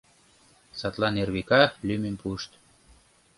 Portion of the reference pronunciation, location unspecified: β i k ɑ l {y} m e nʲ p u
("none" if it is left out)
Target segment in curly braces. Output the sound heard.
y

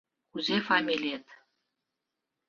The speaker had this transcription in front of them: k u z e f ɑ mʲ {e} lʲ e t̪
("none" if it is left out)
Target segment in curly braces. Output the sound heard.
i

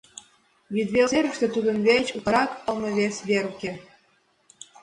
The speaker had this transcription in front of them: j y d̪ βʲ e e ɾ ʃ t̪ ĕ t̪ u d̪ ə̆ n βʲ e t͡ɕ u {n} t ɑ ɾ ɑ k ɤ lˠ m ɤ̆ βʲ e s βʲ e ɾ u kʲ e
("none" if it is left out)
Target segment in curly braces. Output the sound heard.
none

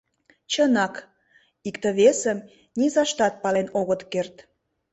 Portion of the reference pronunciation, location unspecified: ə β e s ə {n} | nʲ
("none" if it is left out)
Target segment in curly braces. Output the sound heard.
m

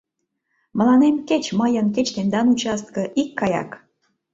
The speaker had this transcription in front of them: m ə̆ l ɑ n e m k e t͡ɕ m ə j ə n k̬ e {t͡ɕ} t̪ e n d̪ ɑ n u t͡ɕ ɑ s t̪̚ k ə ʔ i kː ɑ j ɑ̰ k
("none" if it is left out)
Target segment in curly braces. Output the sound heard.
t͡ɕ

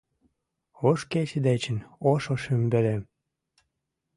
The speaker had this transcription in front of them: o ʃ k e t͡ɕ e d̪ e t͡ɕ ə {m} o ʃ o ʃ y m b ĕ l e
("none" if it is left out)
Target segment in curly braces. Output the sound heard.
n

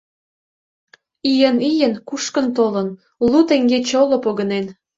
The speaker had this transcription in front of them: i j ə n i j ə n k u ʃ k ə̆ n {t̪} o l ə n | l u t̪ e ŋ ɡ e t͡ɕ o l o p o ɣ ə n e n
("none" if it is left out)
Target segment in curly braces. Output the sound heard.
t̪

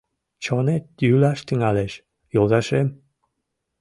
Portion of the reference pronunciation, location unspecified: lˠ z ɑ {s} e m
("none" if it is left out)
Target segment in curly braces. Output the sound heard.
ʃ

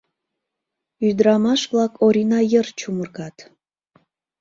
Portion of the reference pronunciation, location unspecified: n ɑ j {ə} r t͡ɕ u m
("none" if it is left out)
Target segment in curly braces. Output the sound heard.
ə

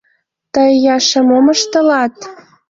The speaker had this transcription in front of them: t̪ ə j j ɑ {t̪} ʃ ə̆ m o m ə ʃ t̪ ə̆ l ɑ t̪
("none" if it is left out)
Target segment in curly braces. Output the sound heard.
none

